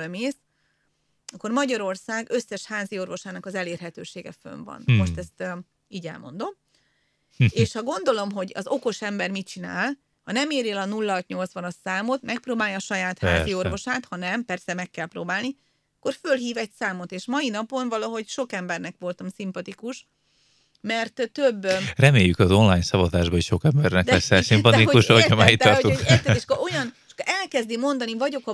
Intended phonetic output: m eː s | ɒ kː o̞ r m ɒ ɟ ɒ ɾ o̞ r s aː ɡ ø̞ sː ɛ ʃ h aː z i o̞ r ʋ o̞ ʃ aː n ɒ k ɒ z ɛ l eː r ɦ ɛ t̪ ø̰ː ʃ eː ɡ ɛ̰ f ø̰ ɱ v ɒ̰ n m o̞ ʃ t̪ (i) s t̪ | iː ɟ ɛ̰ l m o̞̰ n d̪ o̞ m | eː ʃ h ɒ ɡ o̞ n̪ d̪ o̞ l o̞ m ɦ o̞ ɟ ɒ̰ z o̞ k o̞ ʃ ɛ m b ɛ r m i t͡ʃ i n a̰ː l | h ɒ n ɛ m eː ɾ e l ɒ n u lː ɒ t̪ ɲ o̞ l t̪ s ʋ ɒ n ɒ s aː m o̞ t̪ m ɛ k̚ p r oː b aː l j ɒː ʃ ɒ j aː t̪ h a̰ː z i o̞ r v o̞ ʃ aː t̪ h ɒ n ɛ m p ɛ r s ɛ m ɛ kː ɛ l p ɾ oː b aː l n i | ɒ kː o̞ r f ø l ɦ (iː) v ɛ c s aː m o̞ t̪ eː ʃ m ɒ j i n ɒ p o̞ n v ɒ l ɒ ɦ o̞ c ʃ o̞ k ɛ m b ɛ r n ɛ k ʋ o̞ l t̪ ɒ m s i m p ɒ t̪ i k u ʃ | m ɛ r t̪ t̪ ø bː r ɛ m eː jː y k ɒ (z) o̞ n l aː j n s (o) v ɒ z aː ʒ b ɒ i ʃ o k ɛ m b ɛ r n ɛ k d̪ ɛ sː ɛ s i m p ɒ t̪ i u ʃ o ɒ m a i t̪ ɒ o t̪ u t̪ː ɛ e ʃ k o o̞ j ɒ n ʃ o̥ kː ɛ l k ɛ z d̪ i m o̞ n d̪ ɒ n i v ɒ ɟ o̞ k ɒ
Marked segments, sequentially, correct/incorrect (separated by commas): incorrect, correct, correct, incorrect